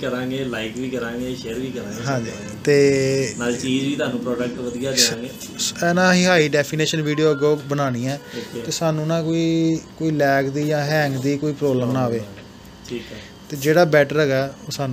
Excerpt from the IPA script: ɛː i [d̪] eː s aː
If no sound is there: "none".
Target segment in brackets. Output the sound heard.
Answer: t̪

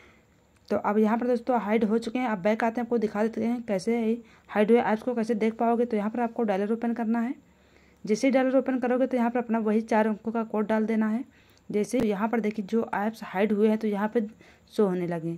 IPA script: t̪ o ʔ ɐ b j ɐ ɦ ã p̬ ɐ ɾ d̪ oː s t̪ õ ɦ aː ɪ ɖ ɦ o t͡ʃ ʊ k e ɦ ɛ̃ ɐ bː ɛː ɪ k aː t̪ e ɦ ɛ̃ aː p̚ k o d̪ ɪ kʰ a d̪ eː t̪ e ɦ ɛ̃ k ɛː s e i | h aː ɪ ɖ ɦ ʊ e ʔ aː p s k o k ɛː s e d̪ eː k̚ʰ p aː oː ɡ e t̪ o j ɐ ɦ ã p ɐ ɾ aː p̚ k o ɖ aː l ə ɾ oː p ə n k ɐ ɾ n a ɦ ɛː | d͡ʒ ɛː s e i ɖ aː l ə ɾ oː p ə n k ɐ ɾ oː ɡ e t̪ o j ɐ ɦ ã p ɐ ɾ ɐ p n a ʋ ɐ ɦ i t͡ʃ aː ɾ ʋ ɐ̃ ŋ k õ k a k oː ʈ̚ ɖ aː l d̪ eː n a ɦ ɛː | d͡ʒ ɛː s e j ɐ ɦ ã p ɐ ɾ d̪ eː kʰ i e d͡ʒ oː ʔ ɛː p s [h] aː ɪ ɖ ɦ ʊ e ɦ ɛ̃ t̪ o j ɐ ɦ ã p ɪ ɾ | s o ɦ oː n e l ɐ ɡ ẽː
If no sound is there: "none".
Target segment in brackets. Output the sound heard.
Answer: h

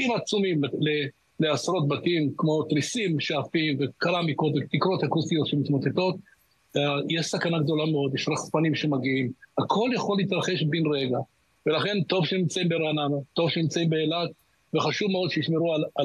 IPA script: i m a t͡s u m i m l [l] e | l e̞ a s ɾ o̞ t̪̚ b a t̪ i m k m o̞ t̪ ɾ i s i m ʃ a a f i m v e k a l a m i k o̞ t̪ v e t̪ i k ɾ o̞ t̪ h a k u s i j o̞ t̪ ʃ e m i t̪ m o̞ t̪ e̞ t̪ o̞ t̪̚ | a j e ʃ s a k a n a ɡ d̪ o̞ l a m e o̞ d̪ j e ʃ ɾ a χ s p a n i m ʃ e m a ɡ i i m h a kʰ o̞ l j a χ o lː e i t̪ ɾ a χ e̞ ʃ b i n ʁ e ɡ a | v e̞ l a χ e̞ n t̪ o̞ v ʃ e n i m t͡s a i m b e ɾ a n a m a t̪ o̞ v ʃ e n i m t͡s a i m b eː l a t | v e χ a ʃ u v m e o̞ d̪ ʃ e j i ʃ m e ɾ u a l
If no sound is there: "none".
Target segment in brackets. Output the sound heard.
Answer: l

